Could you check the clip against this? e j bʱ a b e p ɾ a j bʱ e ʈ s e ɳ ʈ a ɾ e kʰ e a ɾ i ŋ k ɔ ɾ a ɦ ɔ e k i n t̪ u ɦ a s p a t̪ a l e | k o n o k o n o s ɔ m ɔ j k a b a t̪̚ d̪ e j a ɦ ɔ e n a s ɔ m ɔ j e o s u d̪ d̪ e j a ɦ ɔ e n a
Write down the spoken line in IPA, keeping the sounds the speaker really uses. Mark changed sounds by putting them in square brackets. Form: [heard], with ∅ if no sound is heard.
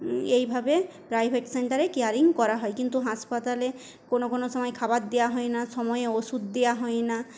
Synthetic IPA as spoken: e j bʱ a b e p ɾ a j bʱ e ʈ s e ɳ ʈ a ɾ e [k] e a ɾ i ŋ k ɔ ɾ a ɦ ɔ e k i n t̪ u ɦ a s p a t̪ a l e | k o n o k o n o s ɔ m ɔ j [kʰ] a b a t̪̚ d̪ e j a ɦ ɔ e n a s ɔ m ɔ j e o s u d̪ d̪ e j a ɦ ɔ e n a